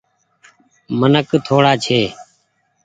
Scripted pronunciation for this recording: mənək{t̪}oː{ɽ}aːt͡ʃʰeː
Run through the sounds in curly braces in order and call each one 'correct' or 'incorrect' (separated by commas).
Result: incorrect, correct